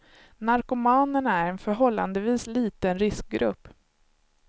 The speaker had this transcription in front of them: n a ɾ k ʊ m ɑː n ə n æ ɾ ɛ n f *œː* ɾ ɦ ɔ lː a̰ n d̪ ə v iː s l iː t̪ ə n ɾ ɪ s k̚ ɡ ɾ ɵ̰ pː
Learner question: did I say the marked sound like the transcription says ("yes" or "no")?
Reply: no